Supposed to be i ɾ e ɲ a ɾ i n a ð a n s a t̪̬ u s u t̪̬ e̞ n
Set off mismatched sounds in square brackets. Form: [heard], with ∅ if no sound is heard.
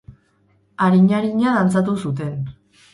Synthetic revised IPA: [a] ɾ [i] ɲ a ɾ i [ɲ] a ð a n [t͡s] a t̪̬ u s u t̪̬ e̞ n